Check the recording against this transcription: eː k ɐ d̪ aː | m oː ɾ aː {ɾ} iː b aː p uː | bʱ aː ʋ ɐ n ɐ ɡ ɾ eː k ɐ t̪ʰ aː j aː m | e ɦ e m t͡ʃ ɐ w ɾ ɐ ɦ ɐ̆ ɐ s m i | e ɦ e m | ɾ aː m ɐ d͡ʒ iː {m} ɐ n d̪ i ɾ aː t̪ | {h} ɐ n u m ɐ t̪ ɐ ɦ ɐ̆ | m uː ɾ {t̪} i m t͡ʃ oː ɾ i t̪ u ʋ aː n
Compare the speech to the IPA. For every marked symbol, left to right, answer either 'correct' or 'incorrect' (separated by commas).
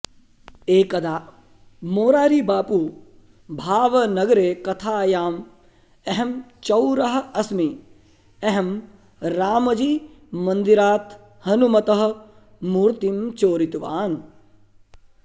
correct, correct, correct, correct